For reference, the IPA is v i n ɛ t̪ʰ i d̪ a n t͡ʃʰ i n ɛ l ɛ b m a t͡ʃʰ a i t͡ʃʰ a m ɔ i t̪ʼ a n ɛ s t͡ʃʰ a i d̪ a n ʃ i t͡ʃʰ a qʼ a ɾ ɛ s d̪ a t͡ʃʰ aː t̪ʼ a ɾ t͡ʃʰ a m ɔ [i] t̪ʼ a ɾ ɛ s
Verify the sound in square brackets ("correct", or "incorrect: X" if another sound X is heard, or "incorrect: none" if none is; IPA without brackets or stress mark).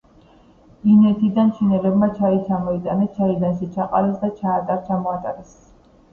incorrect: a